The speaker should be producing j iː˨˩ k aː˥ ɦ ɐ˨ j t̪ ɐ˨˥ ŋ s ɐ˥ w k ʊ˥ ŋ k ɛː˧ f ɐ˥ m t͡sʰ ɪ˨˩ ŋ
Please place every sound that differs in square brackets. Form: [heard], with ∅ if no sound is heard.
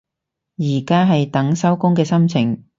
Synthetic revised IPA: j iː˨˩ k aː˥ ɦ ɐ˨ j t̪ ɐ˨˥ ŋ s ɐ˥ w k ʊ˥ ŋ k ɛː˧ [s] ɐ˥ m t͡sʰ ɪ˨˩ ŋ